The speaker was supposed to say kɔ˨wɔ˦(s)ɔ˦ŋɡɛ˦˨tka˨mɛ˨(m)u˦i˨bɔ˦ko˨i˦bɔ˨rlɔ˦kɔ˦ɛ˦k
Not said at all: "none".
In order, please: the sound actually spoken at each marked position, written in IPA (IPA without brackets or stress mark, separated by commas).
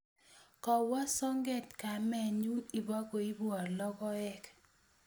s, ɲ